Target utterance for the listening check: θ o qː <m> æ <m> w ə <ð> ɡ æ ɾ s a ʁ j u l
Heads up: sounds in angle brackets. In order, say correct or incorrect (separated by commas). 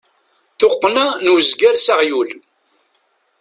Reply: incorrect, incorrect, incorrect